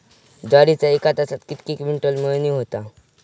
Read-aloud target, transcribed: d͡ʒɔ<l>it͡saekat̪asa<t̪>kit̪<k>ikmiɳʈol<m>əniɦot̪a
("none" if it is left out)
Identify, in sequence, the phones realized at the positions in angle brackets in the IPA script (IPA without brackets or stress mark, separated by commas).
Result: ɾ, t̪, k, m